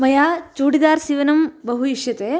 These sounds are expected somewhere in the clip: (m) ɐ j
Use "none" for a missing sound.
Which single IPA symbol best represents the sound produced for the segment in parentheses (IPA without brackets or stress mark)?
m